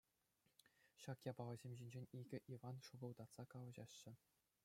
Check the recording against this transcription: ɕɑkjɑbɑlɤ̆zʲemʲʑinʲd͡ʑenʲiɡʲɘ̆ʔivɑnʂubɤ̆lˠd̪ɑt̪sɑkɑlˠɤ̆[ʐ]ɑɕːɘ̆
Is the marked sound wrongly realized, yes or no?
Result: yes